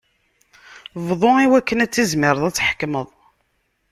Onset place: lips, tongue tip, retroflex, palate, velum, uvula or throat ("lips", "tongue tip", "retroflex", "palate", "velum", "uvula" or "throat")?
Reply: lips